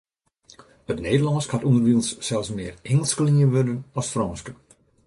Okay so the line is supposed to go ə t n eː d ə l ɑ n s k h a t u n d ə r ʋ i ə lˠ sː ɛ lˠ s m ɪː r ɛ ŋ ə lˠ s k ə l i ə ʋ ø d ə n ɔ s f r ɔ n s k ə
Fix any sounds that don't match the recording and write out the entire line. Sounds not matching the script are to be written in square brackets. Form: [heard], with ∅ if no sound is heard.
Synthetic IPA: ə t n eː d ə l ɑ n s k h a t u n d ə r ʋ i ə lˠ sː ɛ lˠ s m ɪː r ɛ ŋ ə lˠ s k ə l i ə ʋ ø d ə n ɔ s f r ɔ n s k ə